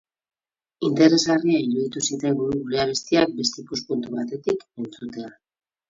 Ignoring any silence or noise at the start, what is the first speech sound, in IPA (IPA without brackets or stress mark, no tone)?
i